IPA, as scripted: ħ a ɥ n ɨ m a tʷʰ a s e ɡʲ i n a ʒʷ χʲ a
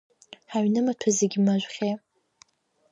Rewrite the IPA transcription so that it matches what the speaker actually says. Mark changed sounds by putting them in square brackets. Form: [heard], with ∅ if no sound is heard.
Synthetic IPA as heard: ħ a ɥ n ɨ m a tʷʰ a [z] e ɡʲ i [m] a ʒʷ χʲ [e]